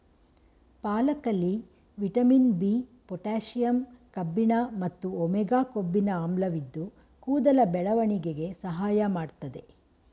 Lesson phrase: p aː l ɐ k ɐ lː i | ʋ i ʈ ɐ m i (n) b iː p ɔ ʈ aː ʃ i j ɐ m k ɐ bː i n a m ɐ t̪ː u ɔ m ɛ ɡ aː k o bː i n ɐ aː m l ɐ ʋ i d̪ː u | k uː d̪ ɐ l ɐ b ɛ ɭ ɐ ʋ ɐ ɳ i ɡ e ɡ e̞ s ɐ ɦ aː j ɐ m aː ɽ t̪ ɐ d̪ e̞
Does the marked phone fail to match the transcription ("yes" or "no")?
no